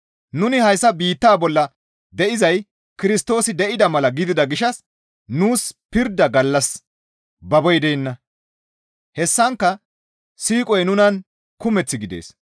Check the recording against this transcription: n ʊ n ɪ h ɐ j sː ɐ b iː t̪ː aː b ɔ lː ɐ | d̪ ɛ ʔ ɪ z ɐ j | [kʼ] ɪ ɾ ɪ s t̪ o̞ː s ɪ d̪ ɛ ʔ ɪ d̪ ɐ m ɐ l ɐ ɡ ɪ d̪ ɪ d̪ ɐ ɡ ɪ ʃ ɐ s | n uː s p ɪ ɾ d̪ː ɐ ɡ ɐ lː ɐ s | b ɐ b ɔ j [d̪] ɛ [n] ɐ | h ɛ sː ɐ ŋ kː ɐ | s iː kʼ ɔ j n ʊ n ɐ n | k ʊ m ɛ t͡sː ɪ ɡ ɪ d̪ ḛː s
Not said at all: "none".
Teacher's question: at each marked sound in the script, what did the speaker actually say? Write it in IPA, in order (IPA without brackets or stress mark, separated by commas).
k, d̪, nː